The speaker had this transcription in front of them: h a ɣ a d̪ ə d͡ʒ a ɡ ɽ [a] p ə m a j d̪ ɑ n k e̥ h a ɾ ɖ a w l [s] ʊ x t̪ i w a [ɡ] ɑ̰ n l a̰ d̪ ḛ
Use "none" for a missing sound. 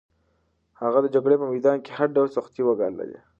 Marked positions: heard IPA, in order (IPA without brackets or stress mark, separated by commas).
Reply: e, s, ɡ